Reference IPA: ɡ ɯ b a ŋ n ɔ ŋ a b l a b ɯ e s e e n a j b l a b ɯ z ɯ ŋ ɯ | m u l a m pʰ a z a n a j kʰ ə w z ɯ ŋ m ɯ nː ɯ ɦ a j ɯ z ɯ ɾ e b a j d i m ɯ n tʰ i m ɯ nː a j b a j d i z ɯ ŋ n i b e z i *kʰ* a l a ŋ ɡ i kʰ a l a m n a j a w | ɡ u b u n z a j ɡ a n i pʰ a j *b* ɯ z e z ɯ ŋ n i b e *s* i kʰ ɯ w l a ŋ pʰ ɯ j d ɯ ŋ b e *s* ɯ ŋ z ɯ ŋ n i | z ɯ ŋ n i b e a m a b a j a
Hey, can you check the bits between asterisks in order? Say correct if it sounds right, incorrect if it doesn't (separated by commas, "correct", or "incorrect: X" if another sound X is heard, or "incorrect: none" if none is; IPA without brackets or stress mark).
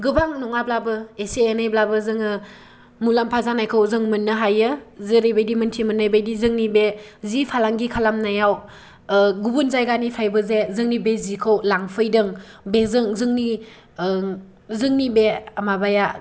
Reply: incorrect: pʰ, correct, incorrect: z, incorrect: z